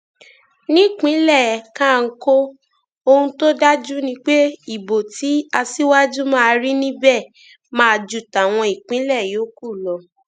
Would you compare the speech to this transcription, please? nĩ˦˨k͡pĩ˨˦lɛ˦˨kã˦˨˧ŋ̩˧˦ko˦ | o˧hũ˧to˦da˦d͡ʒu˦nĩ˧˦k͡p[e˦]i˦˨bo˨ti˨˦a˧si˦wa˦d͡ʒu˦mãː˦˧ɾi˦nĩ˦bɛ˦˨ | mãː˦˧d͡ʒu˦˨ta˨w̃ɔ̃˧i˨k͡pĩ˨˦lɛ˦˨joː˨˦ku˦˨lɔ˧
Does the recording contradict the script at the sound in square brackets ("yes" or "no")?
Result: no